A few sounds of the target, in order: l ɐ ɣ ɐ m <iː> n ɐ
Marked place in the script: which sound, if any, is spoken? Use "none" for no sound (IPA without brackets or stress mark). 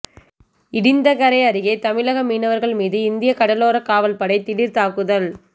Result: iː